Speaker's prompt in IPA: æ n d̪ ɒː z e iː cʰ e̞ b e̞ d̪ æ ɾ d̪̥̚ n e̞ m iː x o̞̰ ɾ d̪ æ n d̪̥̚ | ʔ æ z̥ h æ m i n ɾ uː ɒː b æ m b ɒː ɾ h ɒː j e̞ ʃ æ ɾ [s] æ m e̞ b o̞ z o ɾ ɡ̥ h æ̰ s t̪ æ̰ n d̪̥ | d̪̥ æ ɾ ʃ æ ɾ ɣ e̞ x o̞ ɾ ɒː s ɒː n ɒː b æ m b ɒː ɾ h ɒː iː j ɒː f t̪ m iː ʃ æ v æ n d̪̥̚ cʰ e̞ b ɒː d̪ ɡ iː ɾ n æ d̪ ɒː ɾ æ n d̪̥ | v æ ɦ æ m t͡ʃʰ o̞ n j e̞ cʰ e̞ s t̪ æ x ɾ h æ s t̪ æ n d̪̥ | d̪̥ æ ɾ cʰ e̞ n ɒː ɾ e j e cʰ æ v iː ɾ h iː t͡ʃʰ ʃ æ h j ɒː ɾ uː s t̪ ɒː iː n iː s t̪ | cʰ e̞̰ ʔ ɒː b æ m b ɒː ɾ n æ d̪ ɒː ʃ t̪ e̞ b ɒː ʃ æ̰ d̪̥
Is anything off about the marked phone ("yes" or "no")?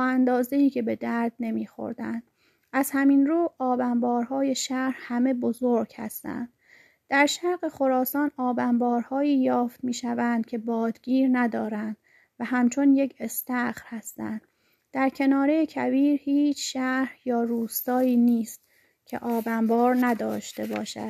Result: yes